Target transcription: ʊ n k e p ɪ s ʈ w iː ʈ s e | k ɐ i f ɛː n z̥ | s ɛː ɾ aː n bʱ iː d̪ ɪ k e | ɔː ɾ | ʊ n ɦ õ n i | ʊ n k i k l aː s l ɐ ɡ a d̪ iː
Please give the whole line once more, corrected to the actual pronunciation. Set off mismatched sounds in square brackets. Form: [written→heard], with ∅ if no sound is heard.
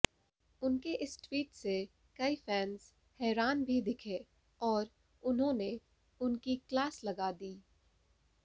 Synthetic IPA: ʊ n k e [p→ʔ] ɪ s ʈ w iː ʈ s e | k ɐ i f ɛː n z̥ | [s→h] ɛː ɾ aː n bʱ [iː→i] d̪ ɪ [k→kʰ] e | ɔː ɾ | ʊ n ɦ õ n [i→e] | ʊ n k i k l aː s l ɐ ɡ a d̪ iː